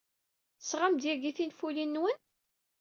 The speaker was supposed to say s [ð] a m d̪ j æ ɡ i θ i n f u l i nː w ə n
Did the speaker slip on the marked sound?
yes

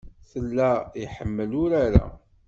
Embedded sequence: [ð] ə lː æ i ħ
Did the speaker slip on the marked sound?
yes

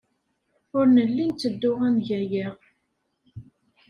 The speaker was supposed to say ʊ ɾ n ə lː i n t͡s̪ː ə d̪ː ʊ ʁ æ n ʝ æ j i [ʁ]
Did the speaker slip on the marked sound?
no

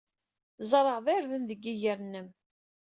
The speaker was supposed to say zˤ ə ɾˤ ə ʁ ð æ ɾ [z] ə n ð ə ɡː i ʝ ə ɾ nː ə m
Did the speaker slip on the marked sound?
yes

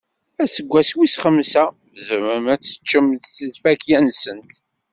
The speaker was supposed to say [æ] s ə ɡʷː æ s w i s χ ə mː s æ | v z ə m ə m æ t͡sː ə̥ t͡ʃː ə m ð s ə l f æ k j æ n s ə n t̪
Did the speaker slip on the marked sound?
no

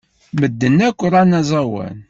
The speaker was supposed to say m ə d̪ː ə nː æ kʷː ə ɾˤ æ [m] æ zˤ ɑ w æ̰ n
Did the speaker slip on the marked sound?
yes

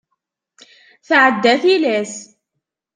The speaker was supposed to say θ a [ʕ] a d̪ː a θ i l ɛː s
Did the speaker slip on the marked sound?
no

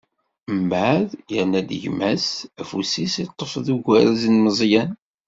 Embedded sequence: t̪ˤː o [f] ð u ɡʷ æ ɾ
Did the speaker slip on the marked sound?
no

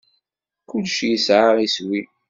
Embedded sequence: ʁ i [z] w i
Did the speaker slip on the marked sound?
yes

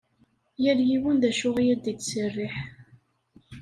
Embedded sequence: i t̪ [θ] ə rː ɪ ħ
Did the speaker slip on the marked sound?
yes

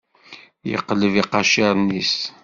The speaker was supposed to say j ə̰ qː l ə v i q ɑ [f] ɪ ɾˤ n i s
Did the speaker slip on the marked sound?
yes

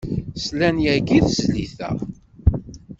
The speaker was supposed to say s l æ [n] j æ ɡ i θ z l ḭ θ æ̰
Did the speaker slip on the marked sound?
no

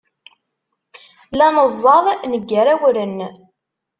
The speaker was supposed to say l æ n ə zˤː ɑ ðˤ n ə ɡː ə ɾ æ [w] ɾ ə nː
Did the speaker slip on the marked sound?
no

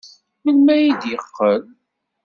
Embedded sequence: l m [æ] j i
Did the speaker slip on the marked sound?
no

